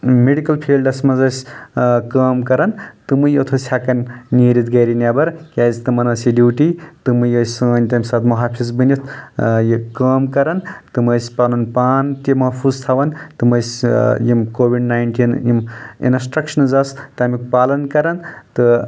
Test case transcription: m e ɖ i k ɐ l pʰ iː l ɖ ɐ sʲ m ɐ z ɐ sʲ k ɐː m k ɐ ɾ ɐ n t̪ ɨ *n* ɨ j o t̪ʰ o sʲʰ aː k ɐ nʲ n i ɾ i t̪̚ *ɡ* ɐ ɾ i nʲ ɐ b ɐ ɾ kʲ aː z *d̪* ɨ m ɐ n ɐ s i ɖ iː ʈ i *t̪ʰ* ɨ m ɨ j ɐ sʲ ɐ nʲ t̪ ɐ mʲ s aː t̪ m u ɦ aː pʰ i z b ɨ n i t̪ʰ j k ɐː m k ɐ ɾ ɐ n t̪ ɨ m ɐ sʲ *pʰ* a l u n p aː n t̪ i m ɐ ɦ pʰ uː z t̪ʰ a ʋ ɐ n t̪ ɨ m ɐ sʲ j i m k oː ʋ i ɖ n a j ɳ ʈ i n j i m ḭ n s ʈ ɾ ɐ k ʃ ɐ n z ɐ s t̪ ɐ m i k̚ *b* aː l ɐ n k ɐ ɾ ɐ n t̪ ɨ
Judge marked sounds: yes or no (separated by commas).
no, yes, no, no, no, no